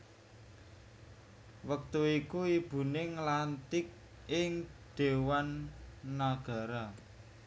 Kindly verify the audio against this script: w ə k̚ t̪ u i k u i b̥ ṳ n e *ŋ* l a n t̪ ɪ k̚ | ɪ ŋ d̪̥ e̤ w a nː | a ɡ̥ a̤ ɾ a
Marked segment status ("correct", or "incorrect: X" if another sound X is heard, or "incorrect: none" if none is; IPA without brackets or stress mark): correct